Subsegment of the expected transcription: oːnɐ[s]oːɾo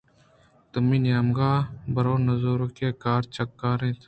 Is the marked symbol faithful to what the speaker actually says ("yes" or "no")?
no